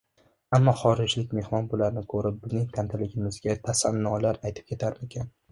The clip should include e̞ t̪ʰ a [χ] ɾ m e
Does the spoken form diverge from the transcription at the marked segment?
yes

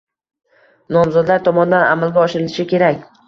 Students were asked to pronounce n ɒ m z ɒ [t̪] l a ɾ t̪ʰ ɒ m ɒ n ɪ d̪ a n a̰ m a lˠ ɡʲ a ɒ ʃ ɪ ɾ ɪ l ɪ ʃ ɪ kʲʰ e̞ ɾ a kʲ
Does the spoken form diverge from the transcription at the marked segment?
yes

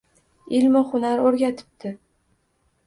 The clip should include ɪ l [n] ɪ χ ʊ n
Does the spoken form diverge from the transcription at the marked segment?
yes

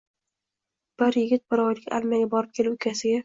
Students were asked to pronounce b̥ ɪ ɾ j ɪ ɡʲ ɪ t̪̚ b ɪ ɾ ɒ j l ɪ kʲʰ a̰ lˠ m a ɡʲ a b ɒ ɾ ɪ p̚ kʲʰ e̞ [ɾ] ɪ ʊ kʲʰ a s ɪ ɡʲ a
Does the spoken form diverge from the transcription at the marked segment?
yes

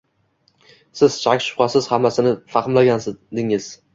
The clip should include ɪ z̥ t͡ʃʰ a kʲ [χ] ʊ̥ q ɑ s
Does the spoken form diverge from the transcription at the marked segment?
yes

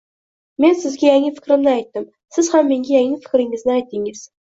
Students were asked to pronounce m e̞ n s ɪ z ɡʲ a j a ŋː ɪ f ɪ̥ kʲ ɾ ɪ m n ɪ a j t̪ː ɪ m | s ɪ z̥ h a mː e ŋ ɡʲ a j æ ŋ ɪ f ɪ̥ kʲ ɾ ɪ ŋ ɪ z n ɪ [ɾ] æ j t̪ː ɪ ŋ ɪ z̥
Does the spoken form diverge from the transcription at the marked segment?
yes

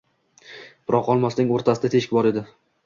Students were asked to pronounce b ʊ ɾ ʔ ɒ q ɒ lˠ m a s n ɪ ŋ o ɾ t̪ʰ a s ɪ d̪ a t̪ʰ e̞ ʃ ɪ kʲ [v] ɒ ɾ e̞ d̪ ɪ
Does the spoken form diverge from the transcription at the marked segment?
yes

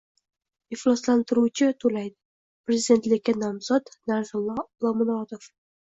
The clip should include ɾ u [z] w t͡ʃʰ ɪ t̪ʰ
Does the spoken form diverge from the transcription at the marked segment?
yes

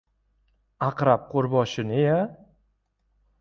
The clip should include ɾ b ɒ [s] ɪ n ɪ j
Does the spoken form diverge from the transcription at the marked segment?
yes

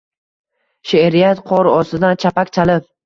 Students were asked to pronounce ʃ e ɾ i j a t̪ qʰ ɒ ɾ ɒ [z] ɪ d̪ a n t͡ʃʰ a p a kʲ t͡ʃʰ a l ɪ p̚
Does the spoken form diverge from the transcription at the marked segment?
yes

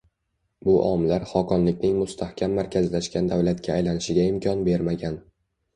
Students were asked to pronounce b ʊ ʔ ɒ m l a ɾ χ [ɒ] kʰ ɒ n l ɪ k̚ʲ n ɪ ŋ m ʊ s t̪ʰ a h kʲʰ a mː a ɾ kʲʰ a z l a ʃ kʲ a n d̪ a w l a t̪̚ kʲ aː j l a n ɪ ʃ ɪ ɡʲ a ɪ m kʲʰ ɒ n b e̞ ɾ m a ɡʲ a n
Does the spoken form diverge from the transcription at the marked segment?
no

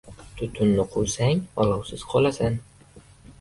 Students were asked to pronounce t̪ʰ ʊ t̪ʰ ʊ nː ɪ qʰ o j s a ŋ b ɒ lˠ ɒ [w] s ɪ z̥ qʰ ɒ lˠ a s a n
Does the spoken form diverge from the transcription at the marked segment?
no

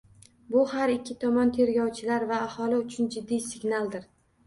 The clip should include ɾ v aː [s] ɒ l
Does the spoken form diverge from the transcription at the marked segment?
yes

